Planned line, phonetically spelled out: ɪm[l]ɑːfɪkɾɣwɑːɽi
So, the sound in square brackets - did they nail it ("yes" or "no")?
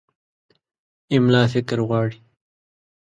yes